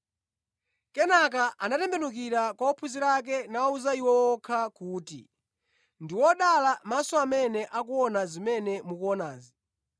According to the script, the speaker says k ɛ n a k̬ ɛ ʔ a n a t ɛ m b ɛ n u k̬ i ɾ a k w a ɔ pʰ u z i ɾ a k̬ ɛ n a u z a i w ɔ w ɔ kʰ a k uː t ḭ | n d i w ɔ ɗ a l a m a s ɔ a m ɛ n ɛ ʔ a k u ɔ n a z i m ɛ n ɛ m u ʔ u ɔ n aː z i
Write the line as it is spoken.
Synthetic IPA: k ɛ n a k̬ a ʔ a n a t ɛ m b ɛ n u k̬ i ɾ a k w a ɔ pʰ u z i ɾ a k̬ ɛ n a u z a i w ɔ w ɔ kʰ a k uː t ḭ | n d i w ɔ ɗ a l a m a s ɔ a m ɛ n ɛ ʔ a k u ɔ n a z i m ɛ n ɛ m u k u ɔ n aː z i

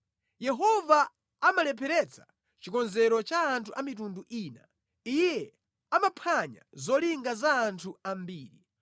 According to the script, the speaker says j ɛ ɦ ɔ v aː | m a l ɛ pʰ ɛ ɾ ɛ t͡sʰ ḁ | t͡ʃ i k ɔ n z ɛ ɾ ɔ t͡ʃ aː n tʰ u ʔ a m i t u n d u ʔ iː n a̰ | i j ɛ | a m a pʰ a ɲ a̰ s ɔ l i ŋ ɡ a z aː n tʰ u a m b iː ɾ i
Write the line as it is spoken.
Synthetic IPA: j ɛ ɦ ɔ v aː | m a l ɛ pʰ ɛ ɾ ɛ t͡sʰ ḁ | t͡ʃ i k ɔ n z ɛ ɾ ɔ t͡ʃ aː n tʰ u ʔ a m i t u n d u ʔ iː n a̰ | i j ɛ | a m a pʰ a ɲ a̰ z ɔ l i ŋ ɡ a z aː n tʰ u a m b iː ɾ i

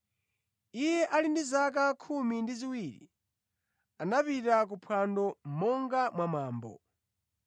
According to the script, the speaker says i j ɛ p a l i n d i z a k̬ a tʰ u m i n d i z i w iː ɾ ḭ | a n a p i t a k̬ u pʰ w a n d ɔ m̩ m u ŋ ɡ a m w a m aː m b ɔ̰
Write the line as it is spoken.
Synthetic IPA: i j ɛ ʔ a l i n d i z a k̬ a kʰ u m i n d i z i w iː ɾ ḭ | a n a p i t a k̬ u pʰ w a n d ɔ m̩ m ɔ ŋ ɡ a m w a m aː m b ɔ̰

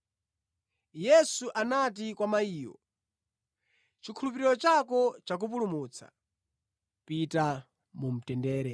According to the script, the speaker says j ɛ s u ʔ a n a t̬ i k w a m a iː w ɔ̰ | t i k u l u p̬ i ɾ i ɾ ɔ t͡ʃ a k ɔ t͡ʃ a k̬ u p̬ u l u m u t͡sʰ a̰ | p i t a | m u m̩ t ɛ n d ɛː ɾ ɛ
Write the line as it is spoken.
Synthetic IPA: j ɛ s u ʔ a n a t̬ i k w a m a iː w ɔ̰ | t͡ʃ i kʰ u l u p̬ i ɾ i ɾ ɔ t͡ʃ a k ɔ t͡ʃ a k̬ u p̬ u l u m u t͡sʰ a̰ | p i t a | m u m̩ t ɛ n d ɛː ɾ ɛ

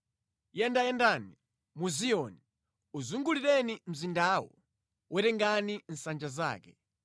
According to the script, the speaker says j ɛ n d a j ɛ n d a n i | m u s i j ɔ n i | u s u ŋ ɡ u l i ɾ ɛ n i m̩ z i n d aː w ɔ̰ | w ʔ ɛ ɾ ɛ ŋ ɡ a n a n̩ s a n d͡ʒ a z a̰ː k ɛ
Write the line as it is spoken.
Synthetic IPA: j ɛ n d a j ɛ n d a n i | m u z i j ɔ n i | u z u ŋ ɡ u l i ɾ ɛ n i m̩ z i n d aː w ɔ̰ | w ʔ ɛ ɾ ɛ ŋ ɡ a n i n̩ s a n d͡ʒ a z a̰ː k ɛ

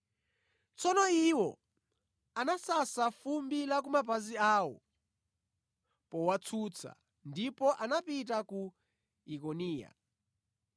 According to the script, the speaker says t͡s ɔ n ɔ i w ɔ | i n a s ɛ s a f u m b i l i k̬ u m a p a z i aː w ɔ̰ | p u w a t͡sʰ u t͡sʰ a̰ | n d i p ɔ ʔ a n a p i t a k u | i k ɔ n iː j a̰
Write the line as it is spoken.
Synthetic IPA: t͡s ɔ n ɔ i w ɔ | a n a s a s a f u m b i l a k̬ u m a p a z i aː w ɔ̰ | p ɔ w a t͡sʰ u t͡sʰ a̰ | n d i p ɔ ʔ a n a p i t a k u | i k ɔ n iː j a̰

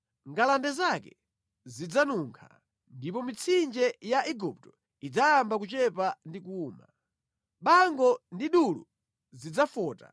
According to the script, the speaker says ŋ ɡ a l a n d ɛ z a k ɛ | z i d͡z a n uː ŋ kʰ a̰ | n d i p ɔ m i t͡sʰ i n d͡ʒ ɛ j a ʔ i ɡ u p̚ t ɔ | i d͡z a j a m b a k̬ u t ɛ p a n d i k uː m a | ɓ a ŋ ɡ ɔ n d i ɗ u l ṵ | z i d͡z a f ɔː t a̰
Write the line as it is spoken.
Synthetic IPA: ŋ ɡ a l a n d ɛ z a k ɛ | z i d͡z a n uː ŋ kʰ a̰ | n d i p ɔ m i t͡sʰ i n d͡ʒ ɛ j a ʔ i ɡ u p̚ t ɔ | i d͡z a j a m b a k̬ u t͡ʃ ɛ p a n d i k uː m a | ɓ a ŋ ɡ ɔ n d i ɗ u l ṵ | z i d͡z a f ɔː t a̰

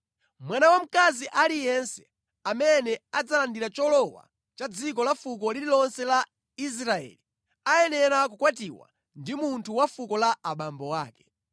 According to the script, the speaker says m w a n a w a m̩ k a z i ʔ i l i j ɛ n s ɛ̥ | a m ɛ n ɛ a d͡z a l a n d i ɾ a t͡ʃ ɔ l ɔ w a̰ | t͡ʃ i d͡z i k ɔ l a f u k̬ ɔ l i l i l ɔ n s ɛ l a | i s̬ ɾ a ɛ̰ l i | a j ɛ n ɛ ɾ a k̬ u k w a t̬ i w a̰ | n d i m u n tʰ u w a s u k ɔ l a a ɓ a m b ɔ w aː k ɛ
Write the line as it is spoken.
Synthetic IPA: m w a n a w a m̩ k a z i ʔ a l i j ɛ n s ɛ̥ | a m ɛ n ɛ a d͡z a l a n d i ɾ a t͡ʃ ɔ l ɔ w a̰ | t͡ʃ a d͡z i k ɔ l a f u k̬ ɔ l i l i l ɔ n s ɛ l a | i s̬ ɾ a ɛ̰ l i | a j ɛ n ɛ ɾ a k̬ u k w a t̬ i w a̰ | n d i m u n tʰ u w a f u k ɔ l a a ɓ a m b ɔ w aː k ɛ

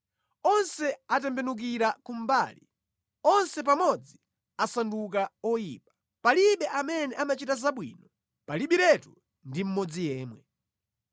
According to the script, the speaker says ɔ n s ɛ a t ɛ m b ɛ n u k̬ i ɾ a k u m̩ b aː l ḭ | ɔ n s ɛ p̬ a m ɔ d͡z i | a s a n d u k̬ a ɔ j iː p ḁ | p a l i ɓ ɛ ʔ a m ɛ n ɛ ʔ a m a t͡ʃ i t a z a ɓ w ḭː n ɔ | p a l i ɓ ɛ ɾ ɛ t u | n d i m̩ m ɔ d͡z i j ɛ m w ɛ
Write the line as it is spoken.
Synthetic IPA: ɔ n s ɛ a t ɛ m b ɛ n u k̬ i ɾ a k u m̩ b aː l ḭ | ɔ n s ɛ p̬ a m ɔ d͡z i | a s a n d u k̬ a ɔ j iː p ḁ | p a l i ɓ ɛ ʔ a m ɛ n ɛ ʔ a m a t͡ʃ i t a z a ɓ w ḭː n ɔ | p a l i ɓ i ɾ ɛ t u | n d i m̩ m ɔ d͡z i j ɛː m w ɛ

